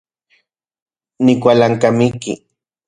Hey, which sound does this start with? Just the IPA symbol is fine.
n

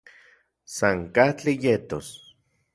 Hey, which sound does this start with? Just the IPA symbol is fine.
s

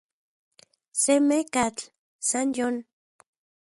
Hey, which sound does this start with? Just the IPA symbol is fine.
s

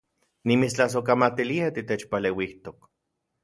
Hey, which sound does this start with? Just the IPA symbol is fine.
n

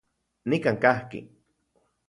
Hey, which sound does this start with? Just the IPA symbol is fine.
n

